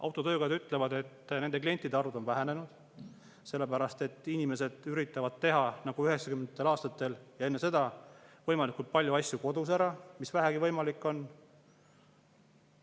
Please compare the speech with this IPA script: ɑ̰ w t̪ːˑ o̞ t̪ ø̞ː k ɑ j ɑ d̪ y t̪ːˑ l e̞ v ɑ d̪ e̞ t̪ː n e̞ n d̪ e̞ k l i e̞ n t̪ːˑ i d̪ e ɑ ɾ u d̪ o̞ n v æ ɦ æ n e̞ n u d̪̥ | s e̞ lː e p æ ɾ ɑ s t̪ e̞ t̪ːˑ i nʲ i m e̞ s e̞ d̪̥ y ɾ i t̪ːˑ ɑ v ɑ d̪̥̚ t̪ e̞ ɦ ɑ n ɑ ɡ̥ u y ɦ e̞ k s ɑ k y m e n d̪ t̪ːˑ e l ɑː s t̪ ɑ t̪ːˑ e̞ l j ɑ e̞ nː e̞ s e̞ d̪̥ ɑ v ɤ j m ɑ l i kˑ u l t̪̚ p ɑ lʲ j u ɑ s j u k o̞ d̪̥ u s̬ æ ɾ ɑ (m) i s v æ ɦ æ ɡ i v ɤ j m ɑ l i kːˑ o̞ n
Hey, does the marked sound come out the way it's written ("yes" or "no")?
yes